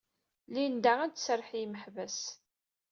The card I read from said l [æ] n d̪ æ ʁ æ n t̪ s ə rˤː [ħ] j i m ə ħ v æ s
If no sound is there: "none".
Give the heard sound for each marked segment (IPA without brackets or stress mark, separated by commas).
i, ħ